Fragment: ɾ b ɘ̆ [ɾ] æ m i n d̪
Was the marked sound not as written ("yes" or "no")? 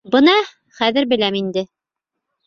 yes